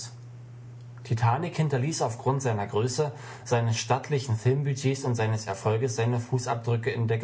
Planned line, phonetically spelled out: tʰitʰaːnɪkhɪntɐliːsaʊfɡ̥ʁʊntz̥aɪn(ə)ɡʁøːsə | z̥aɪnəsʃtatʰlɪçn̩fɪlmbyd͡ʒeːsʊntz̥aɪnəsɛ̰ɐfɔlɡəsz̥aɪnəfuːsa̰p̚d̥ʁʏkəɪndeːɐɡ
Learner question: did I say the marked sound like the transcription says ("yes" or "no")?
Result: no